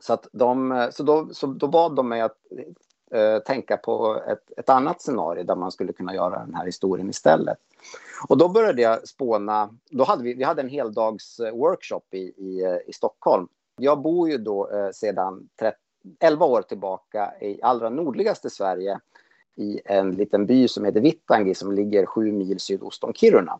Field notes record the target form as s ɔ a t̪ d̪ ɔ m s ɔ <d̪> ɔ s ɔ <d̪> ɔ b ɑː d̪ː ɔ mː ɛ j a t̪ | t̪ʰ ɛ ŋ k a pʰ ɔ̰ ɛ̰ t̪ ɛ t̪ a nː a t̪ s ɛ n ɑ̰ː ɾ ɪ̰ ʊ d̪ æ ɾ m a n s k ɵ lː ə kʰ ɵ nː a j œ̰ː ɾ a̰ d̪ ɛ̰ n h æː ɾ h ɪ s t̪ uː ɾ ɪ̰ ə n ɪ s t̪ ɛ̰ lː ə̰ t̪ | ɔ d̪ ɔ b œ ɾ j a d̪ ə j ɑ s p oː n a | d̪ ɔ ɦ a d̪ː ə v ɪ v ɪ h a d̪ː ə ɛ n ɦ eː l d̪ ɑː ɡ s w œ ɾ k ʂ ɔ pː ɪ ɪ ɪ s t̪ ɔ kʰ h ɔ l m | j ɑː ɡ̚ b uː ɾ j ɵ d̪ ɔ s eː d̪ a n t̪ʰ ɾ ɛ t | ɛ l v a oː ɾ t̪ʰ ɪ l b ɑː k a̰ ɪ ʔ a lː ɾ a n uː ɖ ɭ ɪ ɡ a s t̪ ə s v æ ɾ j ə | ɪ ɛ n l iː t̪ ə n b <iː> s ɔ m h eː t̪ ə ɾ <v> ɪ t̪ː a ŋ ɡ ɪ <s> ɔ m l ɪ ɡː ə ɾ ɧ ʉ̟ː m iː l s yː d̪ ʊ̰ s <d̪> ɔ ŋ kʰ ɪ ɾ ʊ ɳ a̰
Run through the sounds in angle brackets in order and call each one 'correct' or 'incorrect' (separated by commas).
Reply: correct, correct, incorrect, correct, correct, incorrect